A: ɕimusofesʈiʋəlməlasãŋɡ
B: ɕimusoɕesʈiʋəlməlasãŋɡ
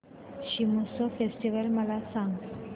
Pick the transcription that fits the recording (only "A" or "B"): A